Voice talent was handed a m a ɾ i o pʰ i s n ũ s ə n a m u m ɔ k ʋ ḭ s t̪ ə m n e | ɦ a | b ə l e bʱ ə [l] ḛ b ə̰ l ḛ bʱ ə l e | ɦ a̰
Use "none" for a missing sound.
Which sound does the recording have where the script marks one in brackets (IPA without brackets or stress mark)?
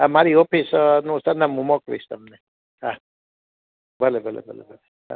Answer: l